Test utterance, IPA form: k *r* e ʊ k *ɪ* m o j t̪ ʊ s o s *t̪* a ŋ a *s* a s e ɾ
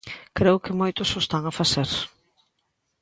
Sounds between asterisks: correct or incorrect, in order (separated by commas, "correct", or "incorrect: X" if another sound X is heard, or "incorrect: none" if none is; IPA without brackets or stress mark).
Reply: incorrect: ɾ, correct, correct, incorrect: f